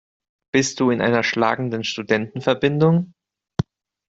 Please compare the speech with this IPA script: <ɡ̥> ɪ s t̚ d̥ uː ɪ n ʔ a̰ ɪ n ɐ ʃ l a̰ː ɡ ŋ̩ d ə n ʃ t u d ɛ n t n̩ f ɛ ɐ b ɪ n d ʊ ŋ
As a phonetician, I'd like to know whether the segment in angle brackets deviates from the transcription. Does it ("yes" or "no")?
yes